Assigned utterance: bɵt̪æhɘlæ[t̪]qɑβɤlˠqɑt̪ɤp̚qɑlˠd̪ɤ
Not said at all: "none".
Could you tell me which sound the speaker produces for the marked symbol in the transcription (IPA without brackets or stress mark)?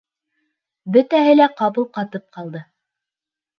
none